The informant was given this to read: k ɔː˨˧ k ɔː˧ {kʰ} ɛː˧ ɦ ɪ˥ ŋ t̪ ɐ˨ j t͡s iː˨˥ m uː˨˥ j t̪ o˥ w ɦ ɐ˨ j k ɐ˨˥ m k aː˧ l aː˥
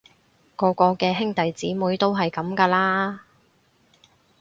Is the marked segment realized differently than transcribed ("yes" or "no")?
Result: yes